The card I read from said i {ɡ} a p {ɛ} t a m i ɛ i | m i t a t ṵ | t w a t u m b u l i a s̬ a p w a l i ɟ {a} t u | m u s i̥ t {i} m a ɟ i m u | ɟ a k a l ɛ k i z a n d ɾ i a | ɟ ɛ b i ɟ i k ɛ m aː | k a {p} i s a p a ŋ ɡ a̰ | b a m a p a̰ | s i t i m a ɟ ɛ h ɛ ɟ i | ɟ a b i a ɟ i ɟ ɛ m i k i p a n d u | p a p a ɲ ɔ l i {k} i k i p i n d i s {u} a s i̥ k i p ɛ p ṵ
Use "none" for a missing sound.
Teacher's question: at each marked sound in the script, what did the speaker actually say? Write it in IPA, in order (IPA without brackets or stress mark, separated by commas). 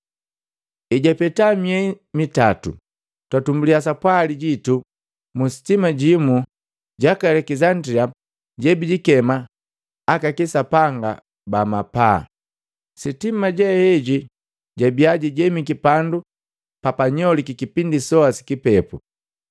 ɟ, ɛ, i, i, k, k, ɔ